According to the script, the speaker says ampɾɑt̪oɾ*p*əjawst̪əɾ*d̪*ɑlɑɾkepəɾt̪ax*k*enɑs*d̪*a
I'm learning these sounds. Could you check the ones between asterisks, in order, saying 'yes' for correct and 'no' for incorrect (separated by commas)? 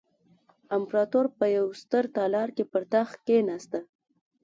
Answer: yes, no, yes, no